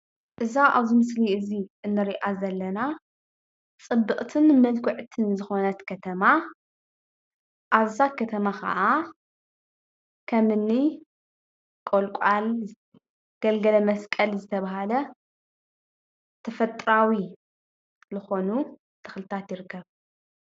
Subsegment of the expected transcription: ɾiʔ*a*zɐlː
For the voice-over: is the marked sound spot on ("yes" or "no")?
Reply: yes